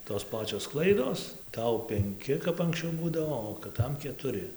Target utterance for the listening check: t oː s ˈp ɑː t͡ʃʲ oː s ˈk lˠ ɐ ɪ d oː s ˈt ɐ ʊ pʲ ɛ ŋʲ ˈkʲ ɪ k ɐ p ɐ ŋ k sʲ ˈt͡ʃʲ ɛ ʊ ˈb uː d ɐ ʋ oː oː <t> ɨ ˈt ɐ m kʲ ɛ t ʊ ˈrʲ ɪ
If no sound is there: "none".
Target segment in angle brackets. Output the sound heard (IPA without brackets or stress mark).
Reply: k